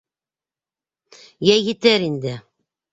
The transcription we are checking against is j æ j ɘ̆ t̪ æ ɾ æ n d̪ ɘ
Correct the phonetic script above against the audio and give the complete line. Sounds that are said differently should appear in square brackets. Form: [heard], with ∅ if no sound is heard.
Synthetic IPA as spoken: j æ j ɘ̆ t̪ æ ɾ [i] n d̪ ɘ